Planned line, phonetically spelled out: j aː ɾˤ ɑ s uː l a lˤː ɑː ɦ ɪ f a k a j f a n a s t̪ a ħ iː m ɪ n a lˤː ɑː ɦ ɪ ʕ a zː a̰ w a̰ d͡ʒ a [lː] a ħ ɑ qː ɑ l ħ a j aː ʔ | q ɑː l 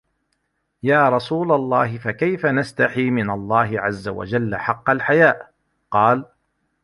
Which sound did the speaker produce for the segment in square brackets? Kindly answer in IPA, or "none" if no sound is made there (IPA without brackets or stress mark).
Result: lː